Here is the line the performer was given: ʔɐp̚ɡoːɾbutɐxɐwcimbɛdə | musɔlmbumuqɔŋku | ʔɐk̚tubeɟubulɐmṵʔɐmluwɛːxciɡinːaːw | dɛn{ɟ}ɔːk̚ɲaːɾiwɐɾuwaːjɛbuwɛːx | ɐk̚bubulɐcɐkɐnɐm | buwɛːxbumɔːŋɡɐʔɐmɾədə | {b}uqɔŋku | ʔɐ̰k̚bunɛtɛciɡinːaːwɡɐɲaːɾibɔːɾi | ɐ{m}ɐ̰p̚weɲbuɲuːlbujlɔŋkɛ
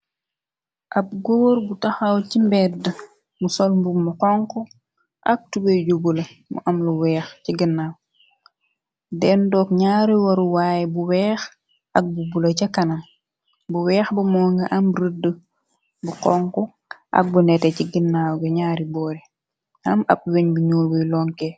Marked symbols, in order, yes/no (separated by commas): no, yes, yes